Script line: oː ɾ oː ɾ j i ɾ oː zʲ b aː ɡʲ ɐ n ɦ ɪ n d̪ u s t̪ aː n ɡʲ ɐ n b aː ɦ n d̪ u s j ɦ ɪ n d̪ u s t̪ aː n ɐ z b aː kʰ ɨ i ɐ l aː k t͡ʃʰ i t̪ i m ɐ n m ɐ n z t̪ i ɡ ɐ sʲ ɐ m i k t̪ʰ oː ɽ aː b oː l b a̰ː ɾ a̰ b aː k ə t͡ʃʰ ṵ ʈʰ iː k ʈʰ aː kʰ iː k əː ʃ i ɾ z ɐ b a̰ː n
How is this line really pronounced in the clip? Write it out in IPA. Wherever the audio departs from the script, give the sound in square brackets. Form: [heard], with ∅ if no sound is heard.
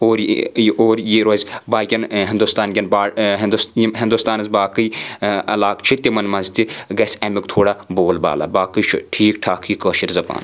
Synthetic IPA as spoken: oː ɾ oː ɾ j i ɾ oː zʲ b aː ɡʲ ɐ n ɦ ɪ n d̪ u s t̪ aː n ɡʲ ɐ n b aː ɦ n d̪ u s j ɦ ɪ n d̪ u s t̪ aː n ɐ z b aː [k] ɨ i ɐ l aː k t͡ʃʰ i t̪ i m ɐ n m ɐ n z t̪ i ɡ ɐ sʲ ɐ m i k t̪ʰ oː ɽ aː b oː l b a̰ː [l] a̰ b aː k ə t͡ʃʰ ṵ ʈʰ iː k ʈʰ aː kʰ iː k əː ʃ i ɾ z ɐ b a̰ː n